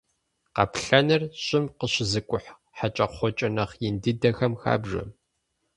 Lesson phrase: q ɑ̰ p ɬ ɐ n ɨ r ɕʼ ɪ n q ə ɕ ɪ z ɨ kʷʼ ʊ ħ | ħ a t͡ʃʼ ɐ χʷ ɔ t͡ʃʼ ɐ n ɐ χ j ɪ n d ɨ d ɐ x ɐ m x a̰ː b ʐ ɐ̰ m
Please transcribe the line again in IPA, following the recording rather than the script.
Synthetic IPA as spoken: q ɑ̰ p ɬ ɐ n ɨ r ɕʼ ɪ m q ə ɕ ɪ z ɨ kʷʼ ʊ ħ | ħ a t͡ʃʼ ɐ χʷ ɔ t͡ʃʼ ɐ n ɐ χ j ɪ n d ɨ d ɐ x ɐ m x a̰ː b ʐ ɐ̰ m

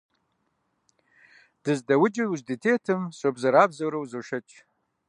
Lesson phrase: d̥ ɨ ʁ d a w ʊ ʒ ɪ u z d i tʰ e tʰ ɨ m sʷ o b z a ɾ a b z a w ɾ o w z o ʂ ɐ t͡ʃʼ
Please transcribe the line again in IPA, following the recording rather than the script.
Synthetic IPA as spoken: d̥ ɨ z d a w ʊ d͡ʒ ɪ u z d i tʰ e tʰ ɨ m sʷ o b z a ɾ a b z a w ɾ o w z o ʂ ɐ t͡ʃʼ

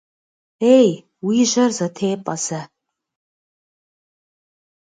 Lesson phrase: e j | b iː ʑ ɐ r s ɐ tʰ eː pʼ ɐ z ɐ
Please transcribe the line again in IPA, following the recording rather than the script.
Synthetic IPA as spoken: e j | w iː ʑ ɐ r z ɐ tʰ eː pʼ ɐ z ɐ

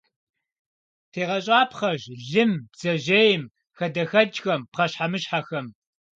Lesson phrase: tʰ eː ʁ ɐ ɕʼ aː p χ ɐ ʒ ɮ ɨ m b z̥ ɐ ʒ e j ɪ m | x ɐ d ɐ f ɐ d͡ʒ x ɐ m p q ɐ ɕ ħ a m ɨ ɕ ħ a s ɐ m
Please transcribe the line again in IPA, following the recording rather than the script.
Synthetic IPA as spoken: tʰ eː ʁ ɐ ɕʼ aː p χ ɐ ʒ ɮ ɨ m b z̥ ɐ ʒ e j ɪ m | x ɐ d ɐ x ɐ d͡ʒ x ɐ m p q ɐ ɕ ħ a m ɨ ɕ ħ a x ɐ m

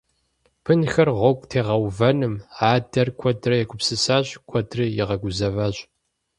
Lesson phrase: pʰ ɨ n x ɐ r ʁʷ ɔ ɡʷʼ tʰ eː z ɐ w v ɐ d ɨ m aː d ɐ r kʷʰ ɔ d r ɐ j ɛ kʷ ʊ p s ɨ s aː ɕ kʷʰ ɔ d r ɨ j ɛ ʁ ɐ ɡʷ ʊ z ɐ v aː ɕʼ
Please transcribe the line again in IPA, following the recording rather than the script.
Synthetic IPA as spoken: pʰ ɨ n x ɐ r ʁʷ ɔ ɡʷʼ tʰ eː ʁ ɐ w v ɐ n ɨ m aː d ɐ r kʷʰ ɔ d r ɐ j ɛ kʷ ʊ p s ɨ s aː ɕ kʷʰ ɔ d r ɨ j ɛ ʁ ɐ ɡʷ ʊ z ɐ v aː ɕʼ

